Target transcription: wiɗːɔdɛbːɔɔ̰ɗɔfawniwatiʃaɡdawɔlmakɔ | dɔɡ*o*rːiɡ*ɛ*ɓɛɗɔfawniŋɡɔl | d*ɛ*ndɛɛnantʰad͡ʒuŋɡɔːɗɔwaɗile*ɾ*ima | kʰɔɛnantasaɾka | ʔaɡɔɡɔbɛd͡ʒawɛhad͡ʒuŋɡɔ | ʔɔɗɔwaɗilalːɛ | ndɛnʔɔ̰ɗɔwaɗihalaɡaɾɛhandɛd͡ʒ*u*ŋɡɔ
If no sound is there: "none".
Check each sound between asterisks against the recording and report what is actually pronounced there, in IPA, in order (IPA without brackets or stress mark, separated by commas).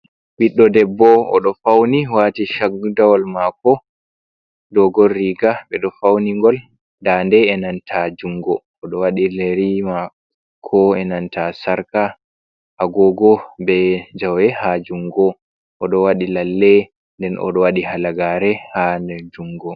ɔ, a, a, ɾ, u